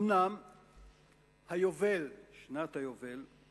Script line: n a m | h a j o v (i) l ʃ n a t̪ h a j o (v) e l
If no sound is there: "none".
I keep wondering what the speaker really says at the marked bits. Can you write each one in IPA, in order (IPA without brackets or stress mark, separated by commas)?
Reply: e, v